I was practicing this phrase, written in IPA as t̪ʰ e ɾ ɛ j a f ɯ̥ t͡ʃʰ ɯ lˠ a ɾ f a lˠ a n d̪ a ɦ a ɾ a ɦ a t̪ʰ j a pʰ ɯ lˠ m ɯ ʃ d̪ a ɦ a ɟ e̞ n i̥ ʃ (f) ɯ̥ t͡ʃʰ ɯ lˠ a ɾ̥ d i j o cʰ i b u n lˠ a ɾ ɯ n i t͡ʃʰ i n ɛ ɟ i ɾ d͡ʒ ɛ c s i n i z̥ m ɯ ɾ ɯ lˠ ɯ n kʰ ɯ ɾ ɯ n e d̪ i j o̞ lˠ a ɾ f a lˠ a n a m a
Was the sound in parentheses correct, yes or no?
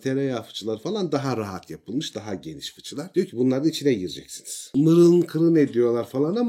yes